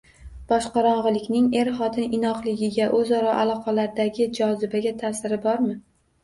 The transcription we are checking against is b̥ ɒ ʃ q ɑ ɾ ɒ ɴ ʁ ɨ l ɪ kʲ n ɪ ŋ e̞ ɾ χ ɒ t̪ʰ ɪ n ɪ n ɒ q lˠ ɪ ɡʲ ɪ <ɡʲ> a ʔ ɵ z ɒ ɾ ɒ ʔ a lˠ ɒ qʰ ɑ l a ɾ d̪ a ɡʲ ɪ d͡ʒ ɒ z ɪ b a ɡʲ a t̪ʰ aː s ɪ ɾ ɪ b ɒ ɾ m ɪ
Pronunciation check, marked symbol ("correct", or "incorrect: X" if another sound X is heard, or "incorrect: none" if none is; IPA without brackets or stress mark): correct